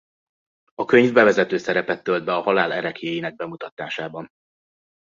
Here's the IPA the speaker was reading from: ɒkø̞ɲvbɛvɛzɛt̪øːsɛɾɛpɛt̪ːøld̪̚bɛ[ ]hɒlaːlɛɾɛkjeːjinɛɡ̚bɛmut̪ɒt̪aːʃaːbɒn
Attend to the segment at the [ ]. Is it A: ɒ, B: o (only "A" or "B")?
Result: A